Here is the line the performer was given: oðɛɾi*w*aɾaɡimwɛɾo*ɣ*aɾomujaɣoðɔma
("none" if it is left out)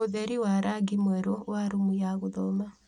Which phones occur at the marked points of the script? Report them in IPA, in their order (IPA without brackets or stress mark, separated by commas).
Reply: w, w